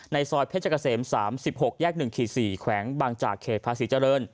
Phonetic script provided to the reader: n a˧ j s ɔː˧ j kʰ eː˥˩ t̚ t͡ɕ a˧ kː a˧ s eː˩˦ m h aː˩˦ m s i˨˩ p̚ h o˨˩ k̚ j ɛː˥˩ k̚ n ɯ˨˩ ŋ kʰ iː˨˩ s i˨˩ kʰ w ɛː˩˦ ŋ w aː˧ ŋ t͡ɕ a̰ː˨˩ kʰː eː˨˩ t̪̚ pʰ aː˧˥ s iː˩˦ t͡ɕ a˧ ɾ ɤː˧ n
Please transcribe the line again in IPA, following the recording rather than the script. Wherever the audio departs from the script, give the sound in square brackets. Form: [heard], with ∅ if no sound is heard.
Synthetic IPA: n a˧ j s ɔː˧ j [pʰ] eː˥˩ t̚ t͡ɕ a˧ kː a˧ s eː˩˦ m [s] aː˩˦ m s i˨˩ p̚ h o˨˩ k̚ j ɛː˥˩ k̚ n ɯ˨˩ ŋ kʰ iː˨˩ s [iː˨˩] kʰ w ɛː˩˦ ŋ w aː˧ ŋ t͡ɕ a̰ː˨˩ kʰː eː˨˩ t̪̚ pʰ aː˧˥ s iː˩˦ t͡ɕ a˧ ɾ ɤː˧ n